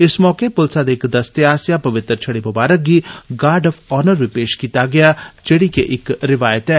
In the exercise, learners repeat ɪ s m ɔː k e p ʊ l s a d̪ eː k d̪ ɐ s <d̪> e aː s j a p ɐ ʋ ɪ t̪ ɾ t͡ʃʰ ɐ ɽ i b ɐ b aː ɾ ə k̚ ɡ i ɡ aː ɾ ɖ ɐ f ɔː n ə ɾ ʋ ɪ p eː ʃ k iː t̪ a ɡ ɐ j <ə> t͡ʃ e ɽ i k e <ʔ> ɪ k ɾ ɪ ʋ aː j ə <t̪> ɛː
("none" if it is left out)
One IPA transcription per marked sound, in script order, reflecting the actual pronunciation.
t̪, a, ʔ, t̪

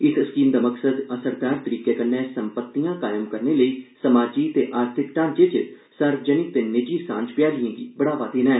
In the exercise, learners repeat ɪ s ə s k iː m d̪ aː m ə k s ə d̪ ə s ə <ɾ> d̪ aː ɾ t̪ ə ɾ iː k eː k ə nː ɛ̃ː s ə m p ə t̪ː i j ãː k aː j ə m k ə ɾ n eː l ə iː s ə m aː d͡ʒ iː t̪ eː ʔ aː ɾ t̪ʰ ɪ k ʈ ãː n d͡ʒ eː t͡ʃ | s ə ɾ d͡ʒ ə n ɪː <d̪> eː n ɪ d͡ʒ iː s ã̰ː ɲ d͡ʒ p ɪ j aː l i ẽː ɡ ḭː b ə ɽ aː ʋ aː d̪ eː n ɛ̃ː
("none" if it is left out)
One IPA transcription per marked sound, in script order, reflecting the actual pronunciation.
ɾ, t̪

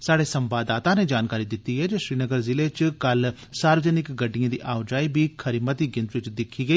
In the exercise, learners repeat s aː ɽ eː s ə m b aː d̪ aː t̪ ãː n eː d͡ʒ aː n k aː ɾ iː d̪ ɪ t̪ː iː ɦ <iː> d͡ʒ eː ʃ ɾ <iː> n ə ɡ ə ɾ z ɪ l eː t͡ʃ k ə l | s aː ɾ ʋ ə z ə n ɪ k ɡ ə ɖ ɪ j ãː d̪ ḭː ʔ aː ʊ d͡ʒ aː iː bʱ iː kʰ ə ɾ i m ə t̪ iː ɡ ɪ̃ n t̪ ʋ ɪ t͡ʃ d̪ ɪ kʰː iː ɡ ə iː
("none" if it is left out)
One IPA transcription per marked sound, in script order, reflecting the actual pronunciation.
ɛː, iː

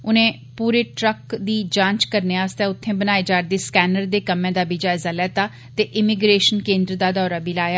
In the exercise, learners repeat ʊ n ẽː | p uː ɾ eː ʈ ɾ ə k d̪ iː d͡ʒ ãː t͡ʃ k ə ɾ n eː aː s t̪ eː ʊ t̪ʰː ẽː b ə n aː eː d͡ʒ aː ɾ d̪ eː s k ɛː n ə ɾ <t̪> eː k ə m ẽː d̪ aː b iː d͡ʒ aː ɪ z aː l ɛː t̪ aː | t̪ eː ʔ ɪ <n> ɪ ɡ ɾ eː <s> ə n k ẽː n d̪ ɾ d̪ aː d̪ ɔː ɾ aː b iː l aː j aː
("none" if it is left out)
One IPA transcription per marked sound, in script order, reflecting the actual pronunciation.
d̪, m, ʃ

